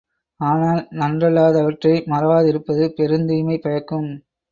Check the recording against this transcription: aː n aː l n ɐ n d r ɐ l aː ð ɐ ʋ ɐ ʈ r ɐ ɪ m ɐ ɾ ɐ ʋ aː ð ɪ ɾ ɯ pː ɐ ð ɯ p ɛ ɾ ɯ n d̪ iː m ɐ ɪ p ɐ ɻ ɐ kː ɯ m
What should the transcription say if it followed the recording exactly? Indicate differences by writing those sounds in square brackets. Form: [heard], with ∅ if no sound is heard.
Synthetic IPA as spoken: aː n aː l n ɐ n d r ɐ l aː ð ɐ ʋ ɐ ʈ r ɐ ɪ m ɐ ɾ ɐ ʋ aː ð ɪ ɾ ɯ pː ɐ ð ɯ p ɛ ɾ ɯ n d̪ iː m ɐ ɪ p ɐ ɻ ɐ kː ɯ m